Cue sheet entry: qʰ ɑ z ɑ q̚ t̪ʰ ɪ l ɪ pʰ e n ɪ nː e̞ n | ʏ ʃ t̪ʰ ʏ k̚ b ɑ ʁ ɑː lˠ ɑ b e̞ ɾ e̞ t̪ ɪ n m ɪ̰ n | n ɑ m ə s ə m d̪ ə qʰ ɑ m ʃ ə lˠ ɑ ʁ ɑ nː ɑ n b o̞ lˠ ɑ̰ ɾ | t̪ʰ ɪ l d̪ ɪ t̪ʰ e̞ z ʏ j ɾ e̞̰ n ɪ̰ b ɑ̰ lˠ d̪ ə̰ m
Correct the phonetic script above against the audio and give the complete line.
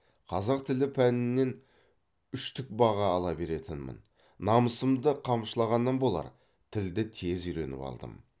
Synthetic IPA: qʰ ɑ z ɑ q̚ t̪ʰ ɪ l ɪ pʰ æ n ɪ nː e̞ n | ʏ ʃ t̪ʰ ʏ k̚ b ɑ ʁ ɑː lˠ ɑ b e̞ ɾ e̞ t̪ ɪ n m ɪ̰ n | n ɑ m ə s ə m d̪ ə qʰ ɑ m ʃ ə lˠ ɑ ʁ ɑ nː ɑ n b o̞ lˠ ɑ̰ ɾ | t̪ʰ ɪ l d̪ ɪ t̪ʰ e̞ z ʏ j ɾ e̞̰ n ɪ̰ p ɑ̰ lˠ d̪ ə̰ m